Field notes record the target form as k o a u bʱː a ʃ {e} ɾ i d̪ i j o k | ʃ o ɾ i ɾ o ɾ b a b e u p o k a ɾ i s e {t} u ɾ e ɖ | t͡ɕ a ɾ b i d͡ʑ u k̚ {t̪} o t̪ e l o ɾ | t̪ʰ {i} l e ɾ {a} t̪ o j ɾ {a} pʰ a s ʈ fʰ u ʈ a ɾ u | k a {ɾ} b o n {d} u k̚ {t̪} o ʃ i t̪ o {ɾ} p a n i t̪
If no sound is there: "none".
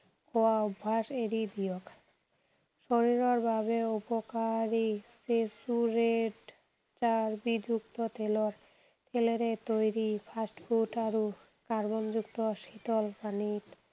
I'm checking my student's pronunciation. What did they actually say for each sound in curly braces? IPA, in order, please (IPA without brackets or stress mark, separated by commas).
e, s, t̪, e, e, i, ɾ, d͡ʑ, t̪, l